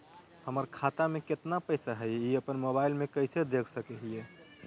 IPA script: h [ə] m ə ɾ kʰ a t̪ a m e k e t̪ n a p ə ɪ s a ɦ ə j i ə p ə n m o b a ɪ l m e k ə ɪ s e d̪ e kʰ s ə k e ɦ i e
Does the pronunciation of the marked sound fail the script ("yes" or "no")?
no